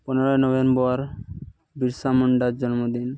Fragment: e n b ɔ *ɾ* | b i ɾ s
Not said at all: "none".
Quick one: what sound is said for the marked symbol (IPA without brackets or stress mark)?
ɾ